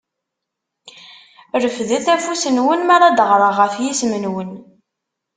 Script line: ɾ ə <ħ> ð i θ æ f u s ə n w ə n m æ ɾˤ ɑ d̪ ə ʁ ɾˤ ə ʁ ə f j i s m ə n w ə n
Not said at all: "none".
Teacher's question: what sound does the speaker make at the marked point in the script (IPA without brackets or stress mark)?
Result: f